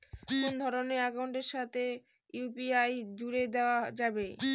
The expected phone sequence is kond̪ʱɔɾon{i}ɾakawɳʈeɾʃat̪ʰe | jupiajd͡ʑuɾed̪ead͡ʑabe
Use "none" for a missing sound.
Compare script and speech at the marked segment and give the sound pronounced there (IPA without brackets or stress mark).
e